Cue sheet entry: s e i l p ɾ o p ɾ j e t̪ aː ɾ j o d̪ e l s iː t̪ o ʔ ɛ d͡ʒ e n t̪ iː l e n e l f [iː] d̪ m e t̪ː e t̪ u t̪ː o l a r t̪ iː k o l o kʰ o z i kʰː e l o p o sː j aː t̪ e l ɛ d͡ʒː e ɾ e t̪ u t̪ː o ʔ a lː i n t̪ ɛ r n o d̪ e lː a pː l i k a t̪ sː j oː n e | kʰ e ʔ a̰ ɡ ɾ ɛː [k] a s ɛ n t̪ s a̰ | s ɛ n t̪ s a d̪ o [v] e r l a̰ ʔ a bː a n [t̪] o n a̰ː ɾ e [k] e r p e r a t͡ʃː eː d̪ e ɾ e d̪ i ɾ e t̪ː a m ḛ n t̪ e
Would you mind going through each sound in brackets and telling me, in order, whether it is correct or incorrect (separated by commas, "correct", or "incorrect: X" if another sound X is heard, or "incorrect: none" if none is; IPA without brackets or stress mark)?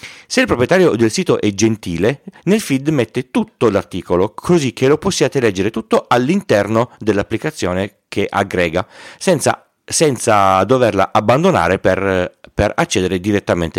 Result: incorrect: i, incorrect: ɡ, correct, incorrect: d̪, incorrect: p